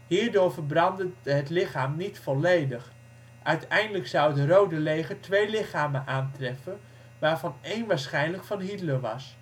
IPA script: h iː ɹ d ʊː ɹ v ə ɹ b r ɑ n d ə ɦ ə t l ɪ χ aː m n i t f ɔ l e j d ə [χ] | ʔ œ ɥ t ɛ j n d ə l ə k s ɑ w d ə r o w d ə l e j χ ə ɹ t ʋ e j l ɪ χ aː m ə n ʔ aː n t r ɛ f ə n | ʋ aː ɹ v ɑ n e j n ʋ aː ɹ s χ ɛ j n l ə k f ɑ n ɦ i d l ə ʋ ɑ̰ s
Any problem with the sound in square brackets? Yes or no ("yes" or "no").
no